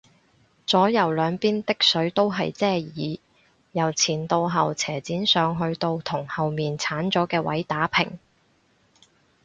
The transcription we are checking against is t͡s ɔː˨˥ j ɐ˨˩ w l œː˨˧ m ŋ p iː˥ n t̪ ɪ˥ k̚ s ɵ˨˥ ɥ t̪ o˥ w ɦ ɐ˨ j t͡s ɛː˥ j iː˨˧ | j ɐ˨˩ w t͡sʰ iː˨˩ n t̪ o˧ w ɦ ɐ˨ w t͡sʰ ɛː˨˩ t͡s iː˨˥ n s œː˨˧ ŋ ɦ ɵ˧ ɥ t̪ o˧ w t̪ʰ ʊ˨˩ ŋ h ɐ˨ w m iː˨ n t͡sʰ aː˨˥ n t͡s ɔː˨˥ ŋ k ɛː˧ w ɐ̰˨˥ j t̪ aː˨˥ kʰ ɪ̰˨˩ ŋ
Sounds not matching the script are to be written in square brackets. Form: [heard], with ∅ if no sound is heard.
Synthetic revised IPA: t͡s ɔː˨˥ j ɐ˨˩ w l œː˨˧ [∅] ŋ p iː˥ n t̪ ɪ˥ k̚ s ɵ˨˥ ɥ t̪ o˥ w ɦ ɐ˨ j t͡s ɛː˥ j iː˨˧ | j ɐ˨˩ w t͡sʰ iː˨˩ n t̪ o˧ w ɦ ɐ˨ w t͡sʰ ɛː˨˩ t͡s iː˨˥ n s œː˨˧ ŋ ɦ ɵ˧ ɥ t̪ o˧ w t̪ʰ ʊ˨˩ ŋ h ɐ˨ w m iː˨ n t͡sʰ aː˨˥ n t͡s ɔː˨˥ [∅] k ɛː˧ w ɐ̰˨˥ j t̪ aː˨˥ [pʰ] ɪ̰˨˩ ŋ